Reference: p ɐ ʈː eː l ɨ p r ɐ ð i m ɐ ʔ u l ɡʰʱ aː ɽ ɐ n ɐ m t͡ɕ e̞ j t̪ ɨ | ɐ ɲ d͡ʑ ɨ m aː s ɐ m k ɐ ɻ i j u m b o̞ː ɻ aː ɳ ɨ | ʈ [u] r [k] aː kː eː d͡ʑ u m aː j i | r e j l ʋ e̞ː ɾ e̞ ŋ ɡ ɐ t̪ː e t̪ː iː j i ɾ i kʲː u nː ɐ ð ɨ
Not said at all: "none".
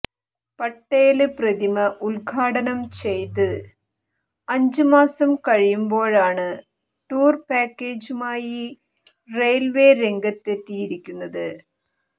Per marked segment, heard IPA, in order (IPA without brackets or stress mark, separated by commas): uː, p